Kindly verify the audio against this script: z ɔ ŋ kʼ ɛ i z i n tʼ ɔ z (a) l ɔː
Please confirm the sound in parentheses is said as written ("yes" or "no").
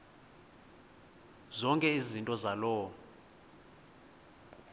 yes